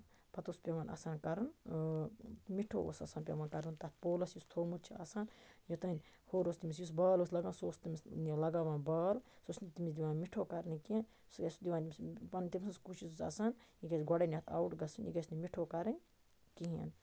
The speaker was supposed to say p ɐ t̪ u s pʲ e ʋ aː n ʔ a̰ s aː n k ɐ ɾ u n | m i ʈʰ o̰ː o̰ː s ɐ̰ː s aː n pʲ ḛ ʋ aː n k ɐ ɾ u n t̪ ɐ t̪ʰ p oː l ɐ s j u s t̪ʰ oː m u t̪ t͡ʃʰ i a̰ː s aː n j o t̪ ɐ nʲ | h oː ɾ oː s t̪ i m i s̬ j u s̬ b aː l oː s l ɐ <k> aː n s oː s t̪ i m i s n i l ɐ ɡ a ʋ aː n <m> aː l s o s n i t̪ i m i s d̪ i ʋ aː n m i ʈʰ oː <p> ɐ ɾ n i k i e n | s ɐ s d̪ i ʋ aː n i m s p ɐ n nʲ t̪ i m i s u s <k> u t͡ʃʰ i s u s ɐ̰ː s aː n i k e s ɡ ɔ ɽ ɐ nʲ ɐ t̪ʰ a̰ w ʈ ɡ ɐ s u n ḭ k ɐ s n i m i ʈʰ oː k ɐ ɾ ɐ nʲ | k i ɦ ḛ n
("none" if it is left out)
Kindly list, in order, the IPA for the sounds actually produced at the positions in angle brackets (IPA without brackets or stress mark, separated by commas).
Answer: ɡ, b, k, k